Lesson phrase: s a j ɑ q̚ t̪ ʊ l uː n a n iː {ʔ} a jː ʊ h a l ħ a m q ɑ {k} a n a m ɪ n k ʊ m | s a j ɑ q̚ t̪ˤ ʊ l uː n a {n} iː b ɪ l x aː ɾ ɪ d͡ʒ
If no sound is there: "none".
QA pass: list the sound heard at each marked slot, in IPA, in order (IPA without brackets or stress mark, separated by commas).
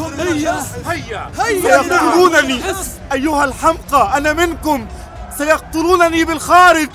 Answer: ʔ, ʔ, n